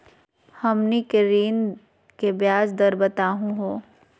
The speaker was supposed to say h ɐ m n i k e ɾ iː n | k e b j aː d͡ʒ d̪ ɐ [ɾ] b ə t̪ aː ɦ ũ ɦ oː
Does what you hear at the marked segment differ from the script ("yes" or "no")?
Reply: no